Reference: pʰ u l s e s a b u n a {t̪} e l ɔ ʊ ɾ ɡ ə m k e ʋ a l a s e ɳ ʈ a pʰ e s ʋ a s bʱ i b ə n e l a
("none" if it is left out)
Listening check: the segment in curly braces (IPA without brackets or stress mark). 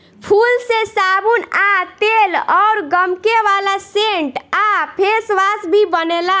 t̪